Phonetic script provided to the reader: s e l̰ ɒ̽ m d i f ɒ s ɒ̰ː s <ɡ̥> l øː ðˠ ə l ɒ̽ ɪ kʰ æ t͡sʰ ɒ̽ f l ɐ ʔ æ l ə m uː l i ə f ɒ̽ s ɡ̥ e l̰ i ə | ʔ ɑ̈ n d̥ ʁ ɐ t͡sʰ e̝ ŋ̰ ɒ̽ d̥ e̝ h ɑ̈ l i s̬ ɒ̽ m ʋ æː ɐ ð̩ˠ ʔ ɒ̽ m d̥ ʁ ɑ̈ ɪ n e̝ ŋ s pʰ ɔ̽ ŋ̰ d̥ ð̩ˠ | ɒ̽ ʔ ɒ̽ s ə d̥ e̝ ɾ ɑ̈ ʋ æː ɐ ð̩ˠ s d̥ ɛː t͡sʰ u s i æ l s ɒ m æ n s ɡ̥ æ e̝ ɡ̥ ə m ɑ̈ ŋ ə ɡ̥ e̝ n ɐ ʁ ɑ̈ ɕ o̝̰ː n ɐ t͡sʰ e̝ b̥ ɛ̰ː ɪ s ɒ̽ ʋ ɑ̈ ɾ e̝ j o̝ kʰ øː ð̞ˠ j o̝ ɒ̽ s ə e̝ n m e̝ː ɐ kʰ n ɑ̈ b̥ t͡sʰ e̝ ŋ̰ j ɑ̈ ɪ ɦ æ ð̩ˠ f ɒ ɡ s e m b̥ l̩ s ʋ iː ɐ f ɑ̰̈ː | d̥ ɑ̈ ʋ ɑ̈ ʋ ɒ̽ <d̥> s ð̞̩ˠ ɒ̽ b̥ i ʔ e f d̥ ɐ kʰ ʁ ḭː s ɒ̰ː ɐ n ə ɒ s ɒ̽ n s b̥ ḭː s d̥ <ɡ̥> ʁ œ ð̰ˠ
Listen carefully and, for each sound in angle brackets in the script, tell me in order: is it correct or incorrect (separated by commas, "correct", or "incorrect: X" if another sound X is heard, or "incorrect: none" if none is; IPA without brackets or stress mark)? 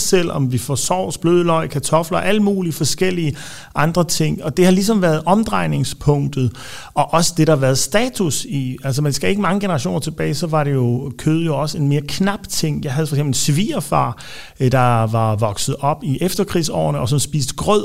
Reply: incorrect: b̥, incorrect: ɡ̥, correct